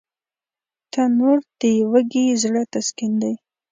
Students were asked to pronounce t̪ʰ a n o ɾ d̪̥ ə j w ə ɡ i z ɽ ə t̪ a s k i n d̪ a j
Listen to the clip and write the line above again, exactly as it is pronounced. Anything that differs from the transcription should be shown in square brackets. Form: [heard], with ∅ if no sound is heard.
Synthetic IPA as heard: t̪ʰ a n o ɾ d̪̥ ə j w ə ɡ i z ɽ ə t̪ a s k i n d̪ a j